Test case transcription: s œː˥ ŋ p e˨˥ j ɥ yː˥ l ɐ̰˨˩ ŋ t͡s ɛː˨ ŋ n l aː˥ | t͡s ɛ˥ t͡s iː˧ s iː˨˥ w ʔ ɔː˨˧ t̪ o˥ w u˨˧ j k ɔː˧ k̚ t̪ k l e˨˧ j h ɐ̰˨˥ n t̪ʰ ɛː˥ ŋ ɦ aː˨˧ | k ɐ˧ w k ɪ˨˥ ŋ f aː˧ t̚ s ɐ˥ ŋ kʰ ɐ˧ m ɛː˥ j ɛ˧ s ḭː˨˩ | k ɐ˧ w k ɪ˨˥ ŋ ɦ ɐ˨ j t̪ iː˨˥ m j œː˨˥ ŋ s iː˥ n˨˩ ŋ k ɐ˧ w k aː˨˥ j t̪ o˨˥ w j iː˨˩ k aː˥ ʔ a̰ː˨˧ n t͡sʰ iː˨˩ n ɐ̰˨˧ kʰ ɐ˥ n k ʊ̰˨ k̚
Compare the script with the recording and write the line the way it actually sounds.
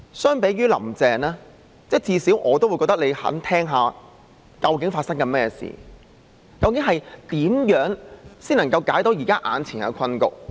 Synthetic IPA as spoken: s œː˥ ŋ p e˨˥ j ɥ yː˥ l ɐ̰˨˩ m t͡s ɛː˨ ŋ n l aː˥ | t͡s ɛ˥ t͡s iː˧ s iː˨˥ w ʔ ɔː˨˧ t̪ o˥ w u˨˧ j k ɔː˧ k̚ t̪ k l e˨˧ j h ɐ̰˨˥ n t̪ʰ ɛː˥ ŋ ɦ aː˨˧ | k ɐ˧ w k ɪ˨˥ ŋ f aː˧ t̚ s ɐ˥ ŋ k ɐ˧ m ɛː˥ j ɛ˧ s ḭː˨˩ | k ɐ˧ w k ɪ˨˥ ŋ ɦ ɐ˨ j t̪ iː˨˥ m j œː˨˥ ŋ s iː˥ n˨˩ ŋ k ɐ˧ w k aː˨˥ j t̪ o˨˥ w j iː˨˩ k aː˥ ʔ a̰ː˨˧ n t͡sʰ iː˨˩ n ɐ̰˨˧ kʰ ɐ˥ n k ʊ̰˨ k̚